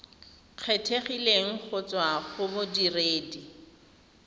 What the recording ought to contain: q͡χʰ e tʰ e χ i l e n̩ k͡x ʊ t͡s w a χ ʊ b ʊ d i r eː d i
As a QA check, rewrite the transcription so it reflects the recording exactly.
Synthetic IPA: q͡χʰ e tʰ e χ i l e ŋ̩ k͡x ʊ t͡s w a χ ʊ b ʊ d i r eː d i

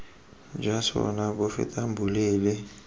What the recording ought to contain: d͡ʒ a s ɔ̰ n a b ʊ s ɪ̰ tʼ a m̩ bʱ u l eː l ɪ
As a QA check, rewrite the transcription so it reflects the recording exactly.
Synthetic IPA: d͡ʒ a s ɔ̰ n a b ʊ f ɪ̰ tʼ a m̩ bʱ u l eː l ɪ

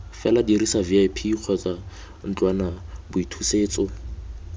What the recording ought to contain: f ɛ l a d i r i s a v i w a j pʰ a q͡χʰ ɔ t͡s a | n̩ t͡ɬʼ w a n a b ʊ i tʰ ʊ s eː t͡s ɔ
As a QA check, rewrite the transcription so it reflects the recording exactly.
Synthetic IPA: f ɛ l a d i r i s a v i a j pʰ i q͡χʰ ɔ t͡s a | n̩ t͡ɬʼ w a n a b ʊ i tʰ u s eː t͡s ɔ

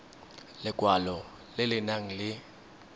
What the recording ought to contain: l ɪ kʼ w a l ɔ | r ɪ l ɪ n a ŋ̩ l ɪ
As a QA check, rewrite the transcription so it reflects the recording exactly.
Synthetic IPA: l ɪ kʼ w a l ɔ | l ɪ l ɪ n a ŋ̩ l ɪ

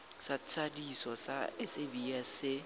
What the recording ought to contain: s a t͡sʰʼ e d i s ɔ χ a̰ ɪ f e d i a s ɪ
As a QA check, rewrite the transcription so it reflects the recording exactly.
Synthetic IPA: s a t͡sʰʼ a d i s ɔ s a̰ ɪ s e b i a s ɪ

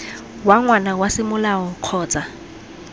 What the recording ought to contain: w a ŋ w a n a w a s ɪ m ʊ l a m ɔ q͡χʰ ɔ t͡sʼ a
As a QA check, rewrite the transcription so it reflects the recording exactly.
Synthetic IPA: w a ŋ w a n a w a s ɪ m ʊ l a ɔ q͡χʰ ɔː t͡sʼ a

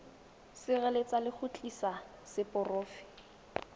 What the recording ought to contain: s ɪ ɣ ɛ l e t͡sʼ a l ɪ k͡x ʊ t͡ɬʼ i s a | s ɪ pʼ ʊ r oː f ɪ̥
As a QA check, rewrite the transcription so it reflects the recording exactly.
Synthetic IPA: s ɪ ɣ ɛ l e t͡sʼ a l ɪ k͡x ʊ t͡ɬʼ i s a | s ɪ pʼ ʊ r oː f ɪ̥

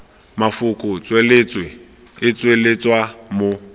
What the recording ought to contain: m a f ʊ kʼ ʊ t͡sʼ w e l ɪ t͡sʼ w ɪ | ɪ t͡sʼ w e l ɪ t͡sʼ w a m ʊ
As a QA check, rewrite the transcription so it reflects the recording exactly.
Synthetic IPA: m a f ʊ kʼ ʊ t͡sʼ w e l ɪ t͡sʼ w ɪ | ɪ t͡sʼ w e l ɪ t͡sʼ w a m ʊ

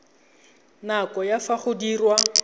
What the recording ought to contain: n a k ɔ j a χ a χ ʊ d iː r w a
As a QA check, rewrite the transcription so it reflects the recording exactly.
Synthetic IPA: n a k ɔ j a f a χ ʊ d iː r w a

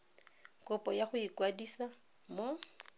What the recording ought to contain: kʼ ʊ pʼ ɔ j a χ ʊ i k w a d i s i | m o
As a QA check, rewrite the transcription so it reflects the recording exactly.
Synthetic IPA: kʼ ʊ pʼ ɔ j a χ ʊ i k w a d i s a | m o

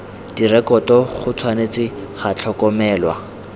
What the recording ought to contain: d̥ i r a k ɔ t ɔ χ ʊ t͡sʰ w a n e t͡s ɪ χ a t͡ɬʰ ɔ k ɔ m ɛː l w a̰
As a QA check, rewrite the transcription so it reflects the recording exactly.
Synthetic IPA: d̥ i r ɛ k ɔ t ɔ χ ʊ t͡sʰ w a n e t͡s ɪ χ a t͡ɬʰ ɔ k ɔ m ɛː l w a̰

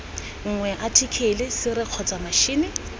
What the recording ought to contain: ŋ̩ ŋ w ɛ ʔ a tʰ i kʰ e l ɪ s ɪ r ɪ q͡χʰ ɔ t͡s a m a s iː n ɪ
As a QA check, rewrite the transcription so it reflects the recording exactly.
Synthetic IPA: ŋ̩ ŋ w ɛ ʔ a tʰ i kʰ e l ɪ s ɪ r ɪ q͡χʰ ɔ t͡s a m a ʃ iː n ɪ

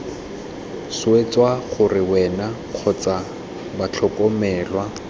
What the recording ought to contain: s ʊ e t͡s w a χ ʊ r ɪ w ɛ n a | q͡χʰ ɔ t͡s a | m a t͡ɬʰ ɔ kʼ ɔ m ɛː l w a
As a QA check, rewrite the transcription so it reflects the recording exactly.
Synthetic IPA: s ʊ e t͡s w a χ ʊ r ɪ w ɛ n a | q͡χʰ ɔ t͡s a | b a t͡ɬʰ ɔ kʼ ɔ m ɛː l w a

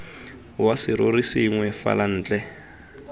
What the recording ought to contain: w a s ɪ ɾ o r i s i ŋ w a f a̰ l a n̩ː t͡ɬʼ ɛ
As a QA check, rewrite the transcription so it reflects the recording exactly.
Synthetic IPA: w a s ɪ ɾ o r i s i ŋ w ɛ f a̰ l a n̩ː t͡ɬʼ ɛ

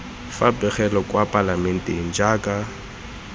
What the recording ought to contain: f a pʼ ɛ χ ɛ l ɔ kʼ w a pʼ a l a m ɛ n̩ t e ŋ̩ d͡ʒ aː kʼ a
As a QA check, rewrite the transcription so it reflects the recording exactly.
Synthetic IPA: f a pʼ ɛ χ ɛ l ɔ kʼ w a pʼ a l a m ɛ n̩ t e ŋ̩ d͡ʒ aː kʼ a

